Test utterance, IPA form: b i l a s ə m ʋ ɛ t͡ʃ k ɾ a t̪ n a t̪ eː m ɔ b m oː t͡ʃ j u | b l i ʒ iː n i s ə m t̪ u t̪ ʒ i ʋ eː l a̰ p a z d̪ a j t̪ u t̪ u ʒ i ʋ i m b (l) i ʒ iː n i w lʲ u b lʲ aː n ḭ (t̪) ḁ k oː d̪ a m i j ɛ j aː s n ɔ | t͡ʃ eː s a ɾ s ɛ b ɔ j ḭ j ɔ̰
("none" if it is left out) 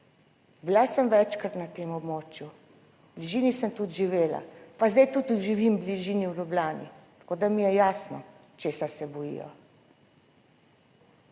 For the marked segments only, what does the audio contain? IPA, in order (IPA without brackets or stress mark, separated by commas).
l, t̪